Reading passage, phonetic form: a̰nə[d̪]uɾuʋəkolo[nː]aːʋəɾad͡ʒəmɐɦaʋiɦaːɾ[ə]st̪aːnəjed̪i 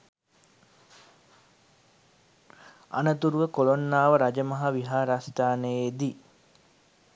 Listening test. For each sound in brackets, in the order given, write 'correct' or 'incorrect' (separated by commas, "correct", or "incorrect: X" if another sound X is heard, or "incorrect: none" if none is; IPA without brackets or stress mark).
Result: incorrect: t̪, correct, incorrect: a